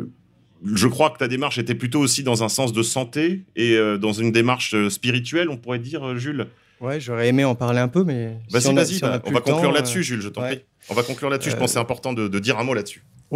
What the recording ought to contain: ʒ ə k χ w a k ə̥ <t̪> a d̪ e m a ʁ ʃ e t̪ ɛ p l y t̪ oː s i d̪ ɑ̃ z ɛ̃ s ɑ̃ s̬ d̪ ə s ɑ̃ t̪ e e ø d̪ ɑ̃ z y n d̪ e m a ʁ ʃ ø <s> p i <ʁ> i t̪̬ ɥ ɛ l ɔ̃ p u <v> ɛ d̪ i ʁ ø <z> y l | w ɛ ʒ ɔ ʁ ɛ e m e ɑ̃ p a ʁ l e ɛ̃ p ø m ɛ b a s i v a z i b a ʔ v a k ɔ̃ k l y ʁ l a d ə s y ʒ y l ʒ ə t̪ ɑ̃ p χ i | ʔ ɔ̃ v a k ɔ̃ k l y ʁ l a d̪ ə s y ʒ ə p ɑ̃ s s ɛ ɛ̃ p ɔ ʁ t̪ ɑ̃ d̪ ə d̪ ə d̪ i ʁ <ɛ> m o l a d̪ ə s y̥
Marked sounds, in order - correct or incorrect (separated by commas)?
correct, correct, correct, incorrect, incorrect, incorrect